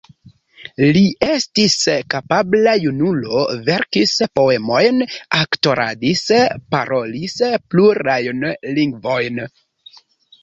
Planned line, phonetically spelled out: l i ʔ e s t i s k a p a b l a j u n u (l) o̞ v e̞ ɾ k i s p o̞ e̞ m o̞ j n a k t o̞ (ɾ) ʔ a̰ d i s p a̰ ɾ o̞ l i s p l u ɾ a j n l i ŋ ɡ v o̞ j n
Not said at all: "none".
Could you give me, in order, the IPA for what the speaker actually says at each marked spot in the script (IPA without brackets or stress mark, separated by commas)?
l, ɾ